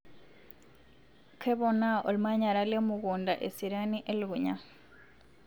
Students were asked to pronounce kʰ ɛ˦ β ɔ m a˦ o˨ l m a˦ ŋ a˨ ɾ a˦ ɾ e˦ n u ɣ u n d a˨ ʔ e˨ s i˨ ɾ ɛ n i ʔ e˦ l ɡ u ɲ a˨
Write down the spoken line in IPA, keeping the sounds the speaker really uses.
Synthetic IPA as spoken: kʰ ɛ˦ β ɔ n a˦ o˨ l m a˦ ɲ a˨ ɾ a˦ l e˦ m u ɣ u n d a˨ ʔ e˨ s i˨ ɾ a n i ʔ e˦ l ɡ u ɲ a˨

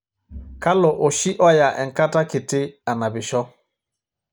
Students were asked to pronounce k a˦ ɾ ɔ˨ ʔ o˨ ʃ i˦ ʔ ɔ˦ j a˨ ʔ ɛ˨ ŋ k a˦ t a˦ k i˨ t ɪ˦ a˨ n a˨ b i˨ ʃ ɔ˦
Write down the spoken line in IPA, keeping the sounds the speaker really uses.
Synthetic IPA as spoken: k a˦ l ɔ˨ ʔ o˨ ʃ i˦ ʔ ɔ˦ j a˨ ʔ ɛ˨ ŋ k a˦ t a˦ k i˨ t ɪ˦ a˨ n a˨ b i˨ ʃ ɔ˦

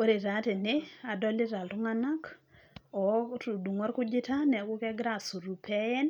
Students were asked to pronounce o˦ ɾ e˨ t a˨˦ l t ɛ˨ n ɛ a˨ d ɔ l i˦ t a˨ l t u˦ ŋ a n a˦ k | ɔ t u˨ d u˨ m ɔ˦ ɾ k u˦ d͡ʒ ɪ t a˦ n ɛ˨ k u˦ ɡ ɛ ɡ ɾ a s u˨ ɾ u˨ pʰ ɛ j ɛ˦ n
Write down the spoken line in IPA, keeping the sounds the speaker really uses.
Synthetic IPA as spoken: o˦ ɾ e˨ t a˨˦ t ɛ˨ n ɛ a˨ d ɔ l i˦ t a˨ l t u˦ ŋ a n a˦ k | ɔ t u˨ d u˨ ŋ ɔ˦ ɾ k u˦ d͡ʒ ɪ t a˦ n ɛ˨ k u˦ k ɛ ɡ ɾ a s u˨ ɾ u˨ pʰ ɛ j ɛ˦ n

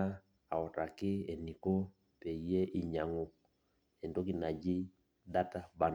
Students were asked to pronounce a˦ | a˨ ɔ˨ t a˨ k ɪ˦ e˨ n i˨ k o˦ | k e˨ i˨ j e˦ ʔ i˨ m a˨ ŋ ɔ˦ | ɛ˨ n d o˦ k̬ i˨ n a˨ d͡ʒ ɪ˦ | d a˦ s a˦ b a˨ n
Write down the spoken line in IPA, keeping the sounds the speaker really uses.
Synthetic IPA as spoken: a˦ | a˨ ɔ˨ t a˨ k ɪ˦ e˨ n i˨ k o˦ | p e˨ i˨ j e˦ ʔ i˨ ɲ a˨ ŋ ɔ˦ | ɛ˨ n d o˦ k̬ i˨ n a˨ d͡ʒ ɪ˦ | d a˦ t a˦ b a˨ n

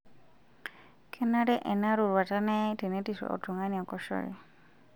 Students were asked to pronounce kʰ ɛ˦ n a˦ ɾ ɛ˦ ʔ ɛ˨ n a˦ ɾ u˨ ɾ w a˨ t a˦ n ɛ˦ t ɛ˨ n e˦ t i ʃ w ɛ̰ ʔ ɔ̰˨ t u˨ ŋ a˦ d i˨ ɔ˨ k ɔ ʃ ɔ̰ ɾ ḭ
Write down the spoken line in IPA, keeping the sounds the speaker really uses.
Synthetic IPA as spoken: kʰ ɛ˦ n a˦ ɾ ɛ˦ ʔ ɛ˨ n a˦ ɾ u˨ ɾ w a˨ t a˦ n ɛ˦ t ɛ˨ n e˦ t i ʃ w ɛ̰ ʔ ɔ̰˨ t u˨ ŋ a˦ n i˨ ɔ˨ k ɔ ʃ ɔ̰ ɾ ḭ

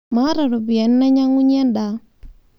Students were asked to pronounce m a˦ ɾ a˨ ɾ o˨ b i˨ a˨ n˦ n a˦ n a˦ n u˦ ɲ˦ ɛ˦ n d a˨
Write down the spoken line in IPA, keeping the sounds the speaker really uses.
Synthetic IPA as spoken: m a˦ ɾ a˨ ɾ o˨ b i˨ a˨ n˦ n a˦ ɲ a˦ ŋ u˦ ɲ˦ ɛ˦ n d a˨

